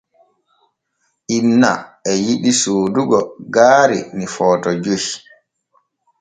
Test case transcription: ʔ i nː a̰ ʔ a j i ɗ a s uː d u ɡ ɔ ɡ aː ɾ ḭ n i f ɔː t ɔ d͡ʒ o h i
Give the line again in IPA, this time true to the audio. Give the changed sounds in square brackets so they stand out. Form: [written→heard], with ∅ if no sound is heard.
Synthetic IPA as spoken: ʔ i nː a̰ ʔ [a→ɛ] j i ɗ [a→i] s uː d u ɡ ɔ ɡ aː ɾ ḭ n i f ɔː t ɔ d͡ʒ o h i